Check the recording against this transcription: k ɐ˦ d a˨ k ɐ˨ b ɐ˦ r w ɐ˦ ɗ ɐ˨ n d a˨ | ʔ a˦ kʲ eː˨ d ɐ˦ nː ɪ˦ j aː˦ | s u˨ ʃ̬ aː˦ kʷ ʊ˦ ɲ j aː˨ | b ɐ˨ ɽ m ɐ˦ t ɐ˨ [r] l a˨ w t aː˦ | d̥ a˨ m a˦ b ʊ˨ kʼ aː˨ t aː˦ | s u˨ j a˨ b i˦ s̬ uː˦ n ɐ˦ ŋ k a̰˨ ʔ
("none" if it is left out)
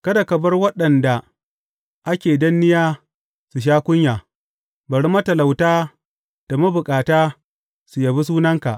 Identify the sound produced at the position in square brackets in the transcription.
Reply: none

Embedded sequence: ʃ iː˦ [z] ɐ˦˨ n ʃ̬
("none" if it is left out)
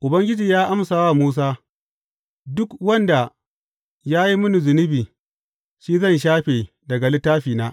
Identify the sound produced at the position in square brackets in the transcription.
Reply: z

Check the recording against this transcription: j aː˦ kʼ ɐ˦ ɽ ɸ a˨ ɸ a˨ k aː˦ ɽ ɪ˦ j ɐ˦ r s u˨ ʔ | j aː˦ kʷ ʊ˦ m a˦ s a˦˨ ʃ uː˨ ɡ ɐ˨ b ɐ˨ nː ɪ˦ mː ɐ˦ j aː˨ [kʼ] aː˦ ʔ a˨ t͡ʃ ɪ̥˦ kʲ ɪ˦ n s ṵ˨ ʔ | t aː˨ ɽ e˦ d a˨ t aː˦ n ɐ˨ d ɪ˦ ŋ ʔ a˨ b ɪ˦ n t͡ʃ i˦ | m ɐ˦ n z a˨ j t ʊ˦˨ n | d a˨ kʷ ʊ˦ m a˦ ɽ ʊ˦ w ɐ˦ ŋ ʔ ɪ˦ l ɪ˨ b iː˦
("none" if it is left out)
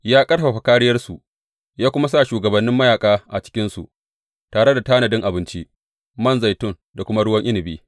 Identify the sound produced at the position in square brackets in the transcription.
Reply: kʼ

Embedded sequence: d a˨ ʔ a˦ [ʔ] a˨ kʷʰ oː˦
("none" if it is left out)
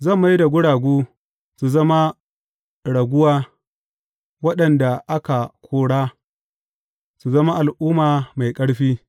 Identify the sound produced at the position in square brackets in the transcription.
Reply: k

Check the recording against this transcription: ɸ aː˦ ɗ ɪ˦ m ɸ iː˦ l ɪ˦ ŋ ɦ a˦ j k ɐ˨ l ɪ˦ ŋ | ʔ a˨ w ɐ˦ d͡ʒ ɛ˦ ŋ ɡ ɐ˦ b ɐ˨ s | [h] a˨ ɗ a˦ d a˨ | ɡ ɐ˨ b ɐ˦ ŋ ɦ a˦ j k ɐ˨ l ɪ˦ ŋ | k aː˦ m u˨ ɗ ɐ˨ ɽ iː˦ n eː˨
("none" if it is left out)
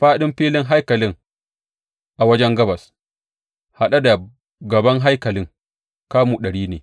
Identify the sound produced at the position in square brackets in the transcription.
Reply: h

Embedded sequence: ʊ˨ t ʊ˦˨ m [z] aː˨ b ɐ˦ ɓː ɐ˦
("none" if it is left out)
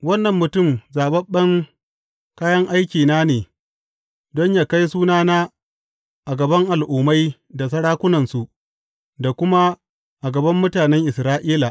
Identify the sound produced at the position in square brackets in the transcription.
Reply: z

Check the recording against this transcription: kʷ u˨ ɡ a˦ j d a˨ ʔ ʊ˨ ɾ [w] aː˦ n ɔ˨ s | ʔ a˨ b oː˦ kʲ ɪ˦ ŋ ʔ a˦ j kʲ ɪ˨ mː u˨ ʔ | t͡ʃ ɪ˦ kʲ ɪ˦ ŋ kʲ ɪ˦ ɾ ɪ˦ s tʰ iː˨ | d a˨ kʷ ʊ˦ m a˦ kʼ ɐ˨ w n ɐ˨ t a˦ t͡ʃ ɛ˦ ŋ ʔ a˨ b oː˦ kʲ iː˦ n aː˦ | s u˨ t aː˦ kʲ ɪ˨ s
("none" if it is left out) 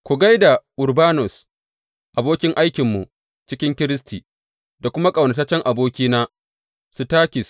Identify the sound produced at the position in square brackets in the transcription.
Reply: b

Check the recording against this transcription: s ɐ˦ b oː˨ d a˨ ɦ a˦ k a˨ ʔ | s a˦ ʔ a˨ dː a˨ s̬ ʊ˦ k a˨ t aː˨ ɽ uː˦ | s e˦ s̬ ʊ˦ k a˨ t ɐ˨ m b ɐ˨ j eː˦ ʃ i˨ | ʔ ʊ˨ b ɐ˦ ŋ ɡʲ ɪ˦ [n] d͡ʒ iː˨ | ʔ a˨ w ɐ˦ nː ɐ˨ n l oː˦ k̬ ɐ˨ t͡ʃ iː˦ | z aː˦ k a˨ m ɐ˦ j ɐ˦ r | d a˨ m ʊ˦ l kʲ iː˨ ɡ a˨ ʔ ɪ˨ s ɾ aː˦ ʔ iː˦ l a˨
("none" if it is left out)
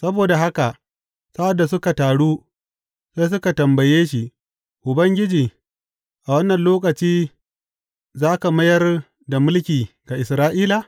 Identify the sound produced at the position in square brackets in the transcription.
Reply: none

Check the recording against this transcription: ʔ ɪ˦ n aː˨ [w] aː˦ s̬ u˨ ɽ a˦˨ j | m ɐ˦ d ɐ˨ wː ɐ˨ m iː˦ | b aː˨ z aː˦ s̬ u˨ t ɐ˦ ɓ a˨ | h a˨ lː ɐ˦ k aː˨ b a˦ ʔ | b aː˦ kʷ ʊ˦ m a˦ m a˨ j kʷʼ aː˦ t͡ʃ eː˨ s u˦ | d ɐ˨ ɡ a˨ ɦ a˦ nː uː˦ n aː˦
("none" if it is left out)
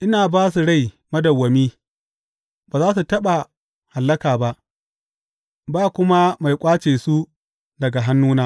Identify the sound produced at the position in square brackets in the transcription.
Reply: b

